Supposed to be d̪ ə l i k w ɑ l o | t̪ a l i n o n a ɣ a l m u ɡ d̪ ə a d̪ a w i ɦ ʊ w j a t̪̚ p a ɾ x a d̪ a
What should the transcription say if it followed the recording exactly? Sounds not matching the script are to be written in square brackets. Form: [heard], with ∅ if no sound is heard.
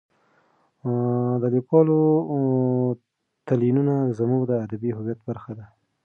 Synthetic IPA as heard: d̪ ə l i k w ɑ l o | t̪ a l i n [u] n a [z] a [∅] m u ɡ d̪ ə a d̪ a [b] i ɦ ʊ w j a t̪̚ [b] a ɾ x a d̪ a